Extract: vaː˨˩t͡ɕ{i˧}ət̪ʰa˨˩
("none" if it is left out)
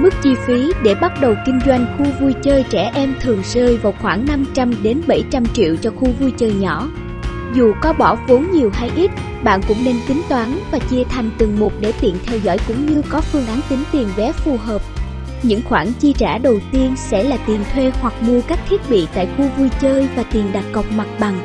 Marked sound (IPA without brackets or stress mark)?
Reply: i˧